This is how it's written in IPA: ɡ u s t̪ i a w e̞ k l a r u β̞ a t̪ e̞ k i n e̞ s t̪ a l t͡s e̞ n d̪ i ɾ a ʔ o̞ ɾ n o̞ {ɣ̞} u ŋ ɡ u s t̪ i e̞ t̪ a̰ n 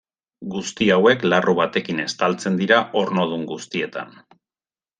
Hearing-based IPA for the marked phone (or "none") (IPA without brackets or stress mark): ð̞